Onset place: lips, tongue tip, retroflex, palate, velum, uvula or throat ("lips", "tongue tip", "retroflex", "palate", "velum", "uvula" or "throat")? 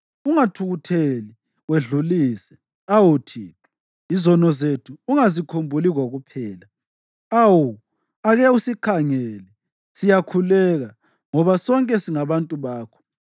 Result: velum